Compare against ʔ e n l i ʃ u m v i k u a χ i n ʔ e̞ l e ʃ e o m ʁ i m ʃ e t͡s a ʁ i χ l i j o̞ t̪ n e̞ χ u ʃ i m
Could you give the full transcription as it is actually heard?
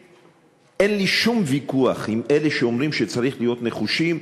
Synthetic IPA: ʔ e n l i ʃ u m v i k u a χ i m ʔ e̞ l e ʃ e o m ʁ i m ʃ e t͡s a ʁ i χ l i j o̞ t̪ n e̞ χ u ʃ i m